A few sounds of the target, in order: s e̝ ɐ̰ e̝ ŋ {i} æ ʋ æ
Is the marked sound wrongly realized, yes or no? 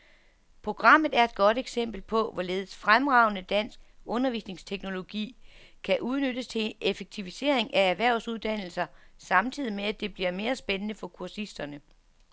yes